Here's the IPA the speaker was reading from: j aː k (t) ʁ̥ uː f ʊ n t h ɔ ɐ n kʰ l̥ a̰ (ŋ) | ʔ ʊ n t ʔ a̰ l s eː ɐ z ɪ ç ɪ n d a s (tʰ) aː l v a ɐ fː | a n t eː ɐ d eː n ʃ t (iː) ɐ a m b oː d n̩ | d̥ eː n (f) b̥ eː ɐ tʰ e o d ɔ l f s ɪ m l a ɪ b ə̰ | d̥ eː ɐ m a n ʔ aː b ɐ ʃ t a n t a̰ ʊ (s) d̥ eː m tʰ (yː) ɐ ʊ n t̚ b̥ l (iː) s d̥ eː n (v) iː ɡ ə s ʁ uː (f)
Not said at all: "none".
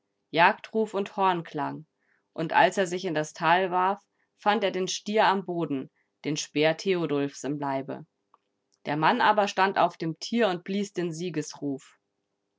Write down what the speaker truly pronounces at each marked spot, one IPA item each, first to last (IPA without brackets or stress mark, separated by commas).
t, ŋ, tʰ, iː, ʃ, f, iː, iː, z, f